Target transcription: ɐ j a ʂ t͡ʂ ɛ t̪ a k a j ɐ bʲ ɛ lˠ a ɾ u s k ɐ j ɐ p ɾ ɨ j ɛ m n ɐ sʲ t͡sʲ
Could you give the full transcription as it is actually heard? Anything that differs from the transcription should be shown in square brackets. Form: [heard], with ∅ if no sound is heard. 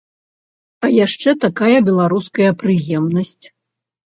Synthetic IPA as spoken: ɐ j a ʂ t͡ʂ ɛ t̪ a k a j ɐ bʲ ɛ lˠ a ɾ u s k ɐ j ɐ p ɾ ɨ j ɛ m n ɐ sʲ t͡sʲ

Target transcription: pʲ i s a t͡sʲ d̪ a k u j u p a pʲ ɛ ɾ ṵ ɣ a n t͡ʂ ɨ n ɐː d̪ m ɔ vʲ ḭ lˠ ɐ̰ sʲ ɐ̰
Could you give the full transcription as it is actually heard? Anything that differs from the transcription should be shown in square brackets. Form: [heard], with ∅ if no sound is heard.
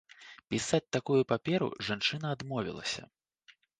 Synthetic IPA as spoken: pʲ i s a t͡sʲ [t̪] a k u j u p a pʲ ɛ ɾ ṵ [ʐ] a n t͡ʂ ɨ n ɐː d̪ m ɔ vʲ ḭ lˠ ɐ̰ sʲ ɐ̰

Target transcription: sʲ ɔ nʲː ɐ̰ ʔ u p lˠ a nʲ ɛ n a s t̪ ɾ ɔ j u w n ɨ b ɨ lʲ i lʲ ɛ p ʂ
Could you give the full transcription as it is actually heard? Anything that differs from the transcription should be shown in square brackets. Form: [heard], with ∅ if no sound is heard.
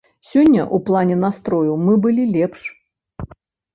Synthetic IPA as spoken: sʲ ɔ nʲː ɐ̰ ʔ u p lˠ a nʲ ɛ n a s t̪ ɾ ɔ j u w [m] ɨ b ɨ lʲ i lʲ ɛ p ʂ

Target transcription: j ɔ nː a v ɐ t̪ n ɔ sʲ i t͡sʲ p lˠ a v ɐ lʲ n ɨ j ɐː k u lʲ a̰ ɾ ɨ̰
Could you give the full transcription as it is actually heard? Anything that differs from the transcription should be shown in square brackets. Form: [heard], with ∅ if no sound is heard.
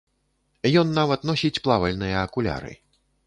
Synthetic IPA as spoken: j ɔ nː a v ɐ t̪ n ɔ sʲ i t͡sʲ p lˠ a v ɐ lʲ n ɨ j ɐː k u lʲ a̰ ɾ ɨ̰

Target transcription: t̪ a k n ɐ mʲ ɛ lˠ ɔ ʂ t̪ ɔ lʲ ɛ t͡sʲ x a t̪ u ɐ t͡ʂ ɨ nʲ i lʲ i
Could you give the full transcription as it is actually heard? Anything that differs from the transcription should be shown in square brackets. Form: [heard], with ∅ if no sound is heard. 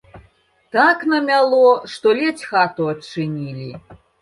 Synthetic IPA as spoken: t̪ a k n ɐ mʲ [a] lˠ ɔ ʂ t̪ ɔ lʲ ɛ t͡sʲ x a t̪ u ɐ t͡ʂ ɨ nʲ i lʲ i

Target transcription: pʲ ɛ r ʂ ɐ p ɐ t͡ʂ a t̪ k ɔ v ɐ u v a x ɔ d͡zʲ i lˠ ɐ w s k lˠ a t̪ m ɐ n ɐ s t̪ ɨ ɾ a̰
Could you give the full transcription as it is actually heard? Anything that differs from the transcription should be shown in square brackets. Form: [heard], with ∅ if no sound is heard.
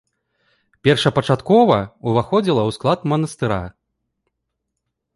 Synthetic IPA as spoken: pʲ ɛ r ʂ ɐ p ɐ t͡ʂ a t̪ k ɔ v ɐ u v a x ɔ d͡zʲ i lˠ ɐ w s k lˠ a t̪ m ɐ n ɐ s t̪ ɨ ɾ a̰

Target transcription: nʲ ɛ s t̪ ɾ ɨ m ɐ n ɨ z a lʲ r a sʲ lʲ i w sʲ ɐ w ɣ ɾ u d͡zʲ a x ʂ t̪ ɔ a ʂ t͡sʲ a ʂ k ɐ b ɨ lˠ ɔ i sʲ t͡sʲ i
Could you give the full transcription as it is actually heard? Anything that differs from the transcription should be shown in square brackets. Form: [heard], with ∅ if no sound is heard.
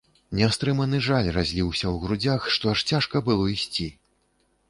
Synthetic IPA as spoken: nʲ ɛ s t̪ ɾ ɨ m ɐ n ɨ [ʐ] a lʲ r a [zʲ] lʲ i w sʲ ɐ w ɣ ɾ u d͡zʲ a x ʂ t̪ ɔ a ʂ t͡sʲ a ʂ k ɐ b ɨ lˠ ɔ i sʲ t͡sʲ i

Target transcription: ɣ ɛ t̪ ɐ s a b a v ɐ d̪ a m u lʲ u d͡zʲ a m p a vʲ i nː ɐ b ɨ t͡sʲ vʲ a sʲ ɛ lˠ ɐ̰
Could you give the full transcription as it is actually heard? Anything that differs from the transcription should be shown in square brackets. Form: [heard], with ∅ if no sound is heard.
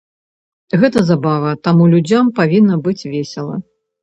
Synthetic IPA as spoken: ɣ ɛ t̪ ɐ [z] a b a v ɐ [t̪] a m u lʲ u d͡zʲ a m p a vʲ i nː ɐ b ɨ t͡sʲ vʲ [e] sʲ ɛ lˠ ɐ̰

